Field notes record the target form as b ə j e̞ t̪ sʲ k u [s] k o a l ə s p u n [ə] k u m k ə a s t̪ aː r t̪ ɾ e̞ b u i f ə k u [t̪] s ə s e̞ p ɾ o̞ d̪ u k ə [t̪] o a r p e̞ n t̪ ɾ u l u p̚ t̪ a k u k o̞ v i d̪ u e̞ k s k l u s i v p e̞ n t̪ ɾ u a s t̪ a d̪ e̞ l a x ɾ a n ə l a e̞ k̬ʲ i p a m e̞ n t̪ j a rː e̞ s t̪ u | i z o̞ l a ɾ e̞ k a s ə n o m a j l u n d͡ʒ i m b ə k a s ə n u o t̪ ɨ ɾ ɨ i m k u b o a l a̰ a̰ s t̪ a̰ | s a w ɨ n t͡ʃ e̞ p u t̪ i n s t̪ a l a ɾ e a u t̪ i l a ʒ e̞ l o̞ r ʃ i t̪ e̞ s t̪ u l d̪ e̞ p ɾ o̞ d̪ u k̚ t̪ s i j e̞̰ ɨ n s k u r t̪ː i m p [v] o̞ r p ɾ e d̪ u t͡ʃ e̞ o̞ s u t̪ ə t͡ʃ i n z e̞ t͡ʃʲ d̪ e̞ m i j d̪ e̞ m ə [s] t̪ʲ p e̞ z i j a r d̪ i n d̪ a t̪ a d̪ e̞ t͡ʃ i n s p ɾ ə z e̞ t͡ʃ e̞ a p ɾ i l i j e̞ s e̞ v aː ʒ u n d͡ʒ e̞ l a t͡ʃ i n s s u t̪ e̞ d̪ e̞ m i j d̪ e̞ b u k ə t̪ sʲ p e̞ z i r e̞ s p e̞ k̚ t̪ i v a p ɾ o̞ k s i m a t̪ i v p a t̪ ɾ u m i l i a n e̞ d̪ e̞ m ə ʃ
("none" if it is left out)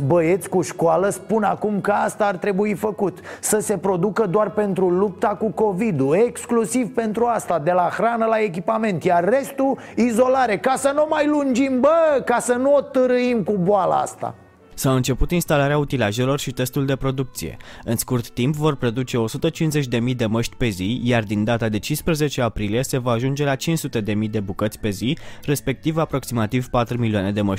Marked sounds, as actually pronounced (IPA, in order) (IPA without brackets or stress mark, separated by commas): ʃ, a, t̪, d̪, v, ʃ